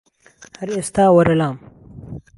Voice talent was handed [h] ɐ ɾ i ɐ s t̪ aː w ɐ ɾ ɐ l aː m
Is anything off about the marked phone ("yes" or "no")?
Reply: no